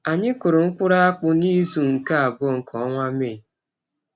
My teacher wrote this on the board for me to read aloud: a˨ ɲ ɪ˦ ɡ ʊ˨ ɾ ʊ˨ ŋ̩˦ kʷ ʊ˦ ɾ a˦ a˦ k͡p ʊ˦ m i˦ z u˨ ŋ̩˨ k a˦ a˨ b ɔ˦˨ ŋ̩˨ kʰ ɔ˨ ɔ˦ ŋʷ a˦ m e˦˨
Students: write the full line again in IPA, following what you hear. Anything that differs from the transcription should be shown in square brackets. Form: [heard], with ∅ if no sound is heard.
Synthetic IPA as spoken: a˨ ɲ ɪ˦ [k] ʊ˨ ɾ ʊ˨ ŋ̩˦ kʷ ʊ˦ ɾ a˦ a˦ k͡p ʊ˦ [n] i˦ z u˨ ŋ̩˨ k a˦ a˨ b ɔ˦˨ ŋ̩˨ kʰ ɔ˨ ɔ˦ ŋʷ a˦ m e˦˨